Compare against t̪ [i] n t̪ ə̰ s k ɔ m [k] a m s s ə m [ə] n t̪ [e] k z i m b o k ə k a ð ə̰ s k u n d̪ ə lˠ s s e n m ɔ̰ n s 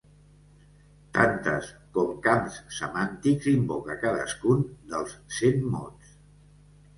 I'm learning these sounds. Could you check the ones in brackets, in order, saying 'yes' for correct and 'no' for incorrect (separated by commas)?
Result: no, yes, no, no